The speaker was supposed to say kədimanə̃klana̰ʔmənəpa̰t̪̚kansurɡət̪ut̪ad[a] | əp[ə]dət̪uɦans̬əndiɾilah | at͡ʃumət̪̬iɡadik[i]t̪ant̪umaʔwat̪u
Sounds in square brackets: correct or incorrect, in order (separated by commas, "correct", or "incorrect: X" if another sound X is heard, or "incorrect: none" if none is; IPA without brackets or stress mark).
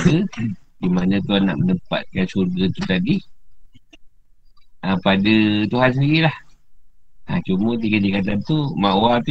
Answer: incorrect: i, incorrect: a, incorrect: a